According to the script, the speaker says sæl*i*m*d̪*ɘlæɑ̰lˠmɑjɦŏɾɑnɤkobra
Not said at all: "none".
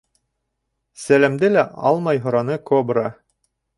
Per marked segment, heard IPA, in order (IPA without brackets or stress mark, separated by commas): æ, d̪